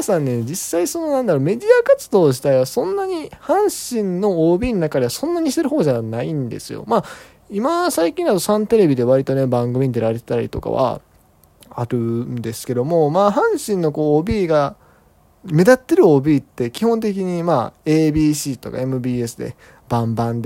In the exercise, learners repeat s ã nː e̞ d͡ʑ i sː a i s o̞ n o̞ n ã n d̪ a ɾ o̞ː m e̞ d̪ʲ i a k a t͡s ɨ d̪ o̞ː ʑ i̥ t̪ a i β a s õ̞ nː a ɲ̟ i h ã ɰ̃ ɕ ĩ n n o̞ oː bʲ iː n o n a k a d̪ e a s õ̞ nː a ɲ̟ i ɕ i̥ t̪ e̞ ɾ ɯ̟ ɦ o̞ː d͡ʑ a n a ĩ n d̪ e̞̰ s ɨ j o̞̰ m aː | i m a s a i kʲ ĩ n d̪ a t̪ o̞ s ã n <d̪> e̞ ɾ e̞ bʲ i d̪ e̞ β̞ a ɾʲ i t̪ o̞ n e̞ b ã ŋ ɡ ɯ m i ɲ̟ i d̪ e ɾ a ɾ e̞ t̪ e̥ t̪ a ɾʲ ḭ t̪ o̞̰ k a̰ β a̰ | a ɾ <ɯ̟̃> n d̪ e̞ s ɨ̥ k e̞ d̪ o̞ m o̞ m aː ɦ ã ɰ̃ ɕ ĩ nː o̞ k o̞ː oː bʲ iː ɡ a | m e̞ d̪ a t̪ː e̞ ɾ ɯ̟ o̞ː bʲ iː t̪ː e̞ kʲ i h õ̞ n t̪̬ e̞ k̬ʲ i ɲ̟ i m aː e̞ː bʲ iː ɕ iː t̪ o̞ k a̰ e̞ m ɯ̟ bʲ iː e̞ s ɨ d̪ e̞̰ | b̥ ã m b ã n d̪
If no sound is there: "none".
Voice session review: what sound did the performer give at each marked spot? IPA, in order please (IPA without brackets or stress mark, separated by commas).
t̪, ɯ̟